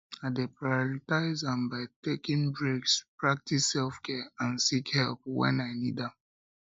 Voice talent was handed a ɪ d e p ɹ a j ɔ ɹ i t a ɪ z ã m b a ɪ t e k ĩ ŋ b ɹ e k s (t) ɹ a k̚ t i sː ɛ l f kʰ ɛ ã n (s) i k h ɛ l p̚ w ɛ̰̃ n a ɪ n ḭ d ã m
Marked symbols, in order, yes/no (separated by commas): no, yes